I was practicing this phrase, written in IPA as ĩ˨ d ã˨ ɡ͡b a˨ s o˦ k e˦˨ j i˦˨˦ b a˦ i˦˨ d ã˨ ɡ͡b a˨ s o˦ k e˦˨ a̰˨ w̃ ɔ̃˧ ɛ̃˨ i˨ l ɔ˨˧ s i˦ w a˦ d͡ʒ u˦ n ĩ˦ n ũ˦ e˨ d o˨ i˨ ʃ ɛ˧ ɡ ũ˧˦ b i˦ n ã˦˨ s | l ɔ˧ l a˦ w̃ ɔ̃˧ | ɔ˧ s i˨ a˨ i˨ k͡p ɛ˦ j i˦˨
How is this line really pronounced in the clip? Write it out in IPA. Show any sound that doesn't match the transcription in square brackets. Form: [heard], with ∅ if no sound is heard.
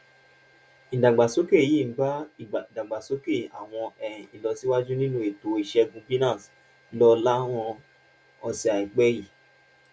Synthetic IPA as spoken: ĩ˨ d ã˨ ɡ͡b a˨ s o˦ k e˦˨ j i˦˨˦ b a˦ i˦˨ d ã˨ ɡ͡b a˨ s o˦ k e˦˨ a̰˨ w̃ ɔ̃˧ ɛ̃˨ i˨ l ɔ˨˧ s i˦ w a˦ d͡ʒ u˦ n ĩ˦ n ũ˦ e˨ [t] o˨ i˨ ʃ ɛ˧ ɡ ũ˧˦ b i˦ n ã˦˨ s | l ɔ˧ l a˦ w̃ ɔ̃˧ | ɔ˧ s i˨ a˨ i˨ k͡p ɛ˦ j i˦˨

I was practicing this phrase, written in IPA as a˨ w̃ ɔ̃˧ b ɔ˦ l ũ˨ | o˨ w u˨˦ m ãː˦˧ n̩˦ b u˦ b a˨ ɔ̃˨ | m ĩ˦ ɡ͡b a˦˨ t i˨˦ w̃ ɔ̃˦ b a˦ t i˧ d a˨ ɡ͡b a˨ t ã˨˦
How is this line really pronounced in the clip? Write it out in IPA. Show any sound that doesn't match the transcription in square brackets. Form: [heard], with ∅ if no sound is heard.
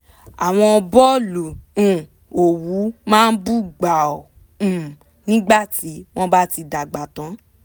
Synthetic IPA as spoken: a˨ w̃ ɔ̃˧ b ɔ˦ l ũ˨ | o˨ w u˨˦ m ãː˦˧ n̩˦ b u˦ [ɡ͡b] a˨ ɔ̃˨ | [n] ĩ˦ ɡ͡b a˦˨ t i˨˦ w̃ ɔ̃˦ b a˦ t i˧ d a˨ ɡ͡b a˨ t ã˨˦

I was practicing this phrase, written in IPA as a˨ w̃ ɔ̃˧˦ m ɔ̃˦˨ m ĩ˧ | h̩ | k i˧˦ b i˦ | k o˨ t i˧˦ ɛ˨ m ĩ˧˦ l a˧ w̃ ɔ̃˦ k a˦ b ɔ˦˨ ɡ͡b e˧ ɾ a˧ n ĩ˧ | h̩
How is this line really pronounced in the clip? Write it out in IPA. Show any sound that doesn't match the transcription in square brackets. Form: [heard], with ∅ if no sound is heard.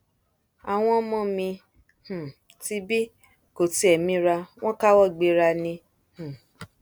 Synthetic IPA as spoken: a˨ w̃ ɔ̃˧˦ m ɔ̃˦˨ m ĩ˧ | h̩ | [t] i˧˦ b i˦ | k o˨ t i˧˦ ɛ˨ m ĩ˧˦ [ɾ] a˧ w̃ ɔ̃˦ k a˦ [w] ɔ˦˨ ɡ͡b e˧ ɾ a˧ n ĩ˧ | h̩

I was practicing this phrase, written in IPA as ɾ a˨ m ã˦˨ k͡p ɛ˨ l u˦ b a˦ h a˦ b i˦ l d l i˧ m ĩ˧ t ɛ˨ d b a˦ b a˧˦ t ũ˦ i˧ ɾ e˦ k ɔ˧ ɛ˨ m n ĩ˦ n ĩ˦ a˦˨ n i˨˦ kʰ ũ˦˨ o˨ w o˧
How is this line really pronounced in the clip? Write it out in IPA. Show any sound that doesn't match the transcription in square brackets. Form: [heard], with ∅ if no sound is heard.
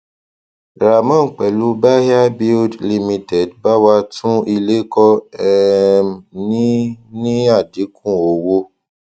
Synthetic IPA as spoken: ɾ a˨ m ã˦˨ k͡p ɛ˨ l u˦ b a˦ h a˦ b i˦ l d l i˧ m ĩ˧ t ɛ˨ d b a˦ [w] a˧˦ t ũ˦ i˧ [l] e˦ k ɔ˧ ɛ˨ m n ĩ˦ n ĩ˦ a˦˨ [d] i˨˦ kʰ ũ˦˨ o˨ w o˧

